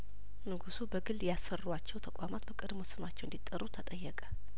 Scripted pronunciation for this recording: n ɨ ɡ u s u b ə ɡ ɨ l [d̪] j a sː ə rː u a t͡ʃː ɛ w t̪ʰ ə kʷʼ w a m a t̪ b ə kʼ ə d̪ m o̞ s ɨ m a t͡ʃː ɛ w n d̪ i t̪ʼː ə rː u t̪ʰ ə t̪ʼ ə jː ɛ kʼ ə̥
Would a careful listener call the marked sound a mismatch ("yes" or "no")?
no